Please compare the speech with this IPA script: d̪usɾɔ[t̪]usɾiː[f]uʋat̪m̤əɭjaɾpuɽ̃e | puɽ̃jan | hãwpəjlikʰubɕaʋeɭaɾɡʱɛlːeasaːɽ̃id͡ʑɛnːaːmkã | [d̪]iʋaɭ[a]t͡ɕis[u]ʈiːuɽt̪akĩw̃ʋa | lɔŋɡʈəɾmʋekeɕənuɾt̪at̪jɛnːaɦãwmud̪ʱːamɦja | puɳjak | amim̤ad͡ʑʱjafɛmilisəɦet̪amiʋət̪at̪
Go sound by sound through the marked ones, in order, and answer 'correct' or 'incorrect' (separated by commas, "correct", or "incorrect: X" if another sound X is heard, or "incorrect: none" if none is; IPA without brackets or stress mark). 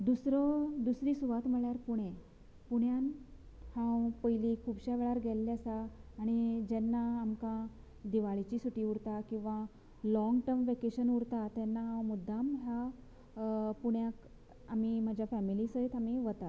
incorrect: d̪, incorrect: s, correct, incorrect: i, correct